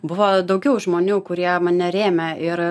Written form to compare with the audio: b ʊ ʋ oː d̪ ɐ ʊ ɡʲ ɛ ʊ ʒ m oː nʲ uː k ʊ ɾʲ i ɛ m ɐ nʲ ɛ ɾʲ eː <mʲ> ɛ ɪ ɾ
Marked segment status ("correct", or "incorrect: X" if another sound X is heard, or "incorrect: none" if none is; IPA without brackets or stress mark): correct